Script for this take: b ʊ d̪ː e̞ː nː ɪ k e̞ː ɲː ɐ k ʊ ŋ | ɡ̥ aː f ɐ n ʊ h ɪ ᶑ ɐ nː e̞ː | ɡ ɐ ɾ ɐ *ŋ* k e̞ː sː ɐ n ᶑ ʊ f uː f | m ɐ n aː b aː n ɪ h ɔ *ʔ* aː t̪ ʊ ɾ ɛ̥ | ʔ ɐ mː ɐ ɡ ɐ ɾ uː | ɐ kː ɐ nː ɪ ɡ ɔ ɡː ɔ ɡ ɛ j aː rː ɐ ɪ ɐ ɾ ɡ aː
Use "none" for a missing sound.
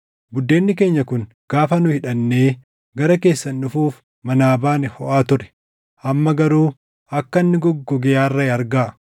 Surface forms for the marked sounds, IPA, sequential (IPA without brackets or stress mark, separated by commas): none, ʔ